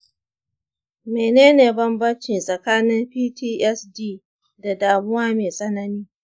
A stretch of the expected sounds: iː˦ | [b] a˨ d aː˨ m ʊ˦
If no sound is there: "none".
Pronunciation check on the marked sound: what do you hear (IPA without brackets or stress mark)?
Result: d